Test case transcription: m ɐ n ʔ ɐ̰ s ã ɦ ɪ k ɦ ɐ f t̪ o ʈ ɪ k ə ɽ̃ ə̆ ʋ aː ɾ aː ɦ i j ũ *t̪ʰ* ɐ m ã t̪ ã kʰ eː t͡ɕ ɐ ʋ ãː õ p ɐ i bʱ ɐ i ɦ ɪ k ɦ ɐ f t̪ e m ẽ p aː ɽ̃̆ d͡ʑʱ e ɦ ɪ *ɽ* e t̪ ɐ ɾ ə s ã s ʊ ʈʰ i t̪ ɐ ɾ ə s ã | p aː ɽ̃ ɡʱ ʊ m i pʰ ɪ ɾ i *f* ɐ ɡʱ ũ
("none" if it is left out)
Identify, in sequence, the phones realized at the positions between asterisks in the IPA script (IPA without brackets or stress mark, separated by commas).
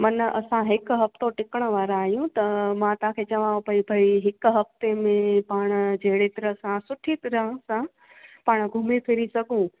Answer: t̪, ɽ, s